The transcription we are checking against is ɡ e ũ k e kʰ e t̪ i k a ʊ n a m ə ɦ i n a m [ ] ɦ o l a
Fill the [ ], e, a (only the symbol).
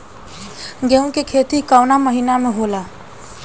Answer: e